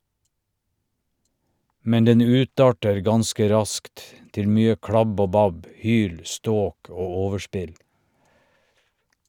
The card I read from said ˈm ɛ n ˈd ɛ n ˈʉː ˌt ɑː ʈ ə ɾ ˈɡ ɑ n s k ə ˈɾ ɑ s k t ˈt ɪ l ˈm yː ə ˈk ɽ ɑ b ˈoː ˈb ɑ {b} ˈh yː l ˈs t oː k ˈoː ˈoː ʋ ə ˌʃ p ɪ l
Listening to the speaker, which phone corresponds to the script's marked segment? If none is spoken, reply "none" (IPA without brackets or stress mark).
b